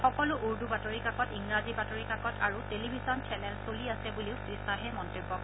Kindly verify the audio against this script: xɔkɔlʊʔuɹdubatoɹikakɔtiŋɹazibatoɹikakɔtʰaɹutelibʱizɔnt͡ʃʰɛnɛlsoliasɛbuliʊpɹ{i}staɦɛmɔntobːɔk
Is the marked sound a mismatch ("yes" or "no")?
no